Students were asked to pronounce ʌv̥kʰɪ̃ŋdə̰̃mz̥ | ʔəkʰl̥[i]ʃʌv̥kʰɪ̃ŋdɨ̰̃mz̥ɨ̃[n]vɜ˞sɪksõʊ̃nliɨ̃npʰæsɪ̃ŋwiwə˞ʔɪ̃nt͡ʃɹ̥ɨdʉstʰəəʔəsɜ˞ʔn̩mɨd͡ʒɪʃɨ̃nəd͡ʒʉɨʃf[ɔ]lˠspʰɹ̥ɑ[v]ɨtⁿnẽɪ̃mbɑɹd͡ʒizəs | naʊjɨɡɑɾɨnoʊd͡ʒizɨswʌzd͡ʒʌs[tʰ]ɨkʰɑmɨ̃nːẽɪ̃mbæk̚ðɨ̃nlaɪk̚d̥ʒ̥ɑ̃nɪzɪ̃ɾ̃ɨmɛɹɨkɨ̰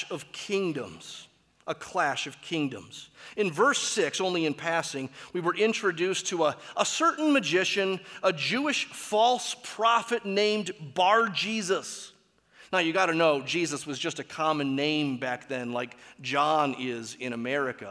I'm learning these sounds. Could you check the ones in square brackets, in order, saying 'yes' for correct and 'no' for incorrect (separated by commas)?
no, yes, yes, no, no